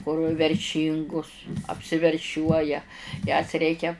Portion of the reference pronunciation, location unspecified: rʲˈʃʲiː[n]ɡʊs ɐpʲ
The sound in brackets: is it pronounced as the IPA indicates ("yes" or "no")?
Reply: no